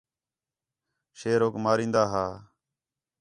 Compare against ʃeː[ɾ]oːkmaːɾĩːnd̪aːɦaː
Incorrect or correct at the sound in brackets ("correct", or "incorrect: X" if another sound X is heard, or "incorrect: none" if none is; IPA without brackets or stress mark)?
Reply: correct